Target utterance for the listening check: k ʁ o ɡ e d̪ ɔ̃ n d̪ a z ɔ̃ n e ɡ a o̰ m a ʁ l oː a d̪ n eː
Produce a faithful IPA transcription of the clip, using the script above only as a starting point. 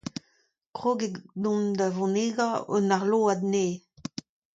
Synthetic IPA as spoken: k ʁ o ɡ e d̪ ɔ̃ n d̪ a v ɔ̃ n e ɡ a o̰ n a ʁ l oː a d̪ n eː

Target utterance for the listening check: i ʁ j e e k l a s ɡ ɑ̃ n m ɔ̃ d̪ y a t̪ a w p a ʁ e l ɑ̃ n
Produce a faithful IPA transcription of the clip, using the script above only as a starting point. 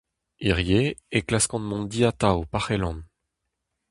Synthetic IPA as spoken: i ʁ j e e k l a s k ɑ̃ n m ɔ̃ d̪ i a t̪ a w p a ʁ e l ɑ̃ n

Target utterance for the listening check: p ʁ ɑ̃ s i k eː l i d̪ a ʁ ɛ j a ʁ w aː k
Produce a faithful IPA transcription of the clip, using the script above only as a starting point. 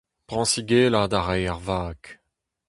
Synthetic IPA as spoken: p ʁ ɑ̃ s i ɡ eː l a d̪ a ʁ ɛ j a ʁ v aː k

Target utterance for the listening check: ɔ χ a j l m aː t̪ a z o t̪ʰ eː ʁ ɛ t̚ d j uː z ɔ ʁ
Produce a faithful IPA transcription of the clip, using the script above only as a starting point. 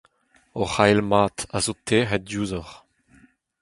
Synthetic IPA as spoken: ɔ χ a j l m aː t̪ a z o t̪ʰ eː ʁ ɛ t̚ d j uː z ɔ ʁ

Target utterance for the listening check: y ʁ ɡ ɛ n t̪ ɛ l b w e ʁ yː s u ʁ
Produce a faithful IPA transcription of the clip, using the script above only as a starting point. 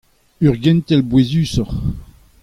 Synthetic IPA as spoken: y ʁ ɡ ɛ n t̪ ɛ l b w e z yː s ɔ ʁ

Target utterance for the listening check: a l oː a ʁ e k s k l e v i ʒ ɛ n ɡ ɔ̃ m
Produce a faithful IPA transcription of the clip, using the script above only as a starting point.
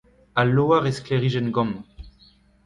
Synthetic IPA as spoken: a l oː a ʁ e s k l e ʁ i ʒ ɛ n ɡ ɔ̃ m

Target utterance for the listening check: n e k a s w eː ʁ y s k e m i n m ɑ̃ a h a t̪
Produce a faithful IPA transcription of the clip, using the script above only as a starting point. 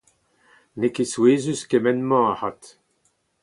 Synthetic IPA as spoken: n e k e s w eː z y s k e m ɛ n m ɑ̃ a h a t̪

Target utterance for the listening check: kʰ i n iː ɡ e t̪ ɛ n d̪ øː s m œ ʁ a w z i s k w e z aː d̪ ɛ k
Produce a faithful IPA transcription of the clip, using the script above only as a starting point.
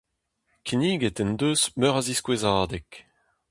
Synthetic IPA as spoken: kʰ i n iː ɡ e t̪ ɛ n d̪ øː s m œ ʁ a z i s k w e z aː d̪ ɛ k

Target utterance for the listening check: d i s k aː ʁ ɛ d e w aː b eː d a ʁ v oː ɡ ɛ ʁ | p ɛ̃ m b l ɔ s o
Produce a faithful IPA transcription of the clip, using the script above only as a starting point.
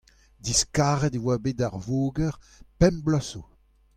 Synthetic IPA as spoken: d i s k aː ʁ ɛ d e w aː b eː d a ʁ v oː ɡ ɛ ʁ | p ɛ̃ m b l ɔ s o

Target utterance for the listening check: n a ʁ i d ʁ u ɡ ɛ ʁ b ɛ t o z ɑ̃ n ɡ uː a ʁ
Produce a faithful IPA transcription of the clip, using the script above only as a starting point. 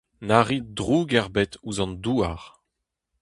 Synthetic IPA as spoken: n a ʁ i d ʁ u ɡ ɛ ʁ b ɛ t u z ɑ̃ n d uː a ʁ

